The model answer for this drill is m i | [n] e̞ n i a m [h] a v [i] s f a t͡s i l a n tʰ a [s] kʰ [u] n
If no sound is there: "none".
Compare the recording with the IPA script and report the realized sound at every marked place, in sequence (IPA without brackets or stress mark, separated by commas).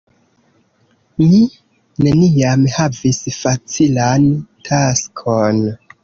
n, h, i, s, o